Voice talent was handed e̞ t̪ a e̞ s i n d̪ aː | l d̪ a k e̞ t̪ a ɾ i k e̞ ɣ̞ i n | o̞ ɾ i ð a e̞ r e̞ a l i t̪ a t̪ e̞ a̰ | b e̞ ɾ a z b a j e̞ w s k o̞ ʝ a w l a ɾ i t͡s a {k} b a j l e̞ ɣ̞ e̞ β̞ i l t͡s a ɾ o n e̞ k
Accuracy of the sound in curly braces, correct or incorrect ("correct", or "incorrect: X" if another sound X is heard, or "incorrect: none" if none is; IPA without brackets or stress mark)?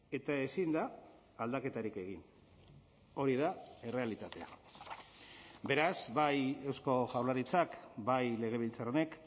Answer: correct